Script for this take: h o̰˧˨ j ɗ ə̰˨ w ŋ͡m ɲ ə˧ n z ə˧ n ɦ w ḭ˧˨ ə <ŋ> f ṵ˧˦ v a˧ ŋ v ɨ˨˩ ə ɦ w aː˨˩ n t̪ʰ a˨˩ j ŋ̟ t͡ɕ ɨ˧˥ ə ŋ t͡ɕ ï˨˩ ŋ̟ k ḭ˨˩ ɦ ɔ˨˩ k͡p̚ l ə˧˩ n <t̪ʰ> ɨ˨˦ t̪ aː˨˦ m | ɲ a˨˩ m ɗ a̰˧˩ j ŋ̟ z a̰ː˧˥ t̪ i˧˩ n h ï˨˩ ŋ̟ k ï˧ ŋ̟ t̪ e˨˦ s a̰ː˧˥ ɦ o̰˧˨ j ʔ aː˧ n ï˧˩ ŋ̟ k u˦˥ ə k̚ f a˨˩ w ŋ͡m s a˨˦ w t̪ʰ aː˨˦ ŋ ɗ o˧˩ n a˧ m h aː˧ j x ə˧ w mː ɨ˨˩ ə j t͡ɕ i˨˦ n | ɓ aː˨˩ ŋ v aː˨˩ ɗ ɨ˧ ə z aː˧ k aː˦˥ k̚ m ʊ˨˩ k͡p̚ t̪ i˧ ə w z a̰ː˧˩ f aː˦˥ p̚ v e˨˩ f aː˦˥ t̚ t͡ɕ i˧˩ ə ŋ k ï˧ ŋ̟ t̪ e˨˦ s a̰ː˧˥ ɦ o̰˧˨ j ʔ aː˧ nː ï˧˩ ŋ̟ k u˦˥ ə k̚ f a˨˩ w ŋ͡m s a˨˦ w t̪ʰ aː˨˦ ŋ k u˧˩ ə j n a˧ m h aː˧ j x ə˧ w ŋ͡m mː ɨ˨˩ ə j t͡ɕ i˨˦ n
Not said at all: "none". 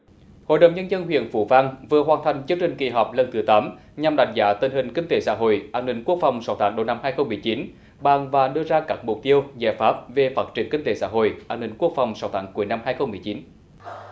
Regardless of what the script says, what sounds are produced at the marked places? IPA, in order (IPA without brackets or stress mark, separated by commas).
n, t̪